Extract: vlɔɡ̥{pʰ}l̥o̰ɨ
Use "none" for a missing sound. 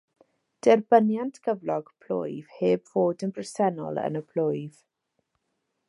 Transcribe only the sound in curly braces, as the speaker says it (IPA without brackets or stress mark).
pʰ